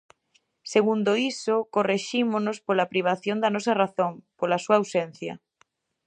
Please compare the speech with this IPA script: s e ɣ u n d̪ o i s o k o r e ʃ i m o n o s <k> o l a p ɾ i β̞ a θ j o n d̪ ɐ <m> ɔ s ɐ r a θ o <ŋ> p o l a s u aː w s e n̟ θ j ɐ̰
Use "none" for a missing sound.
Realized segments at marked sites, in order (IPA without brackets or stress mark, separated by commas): p, n, ŋ